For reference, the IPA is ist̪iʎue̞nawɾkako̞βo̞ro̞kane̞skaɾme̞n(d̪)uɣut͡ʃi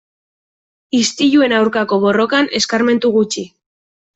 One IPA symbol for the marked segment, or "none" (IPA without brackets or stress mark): t̪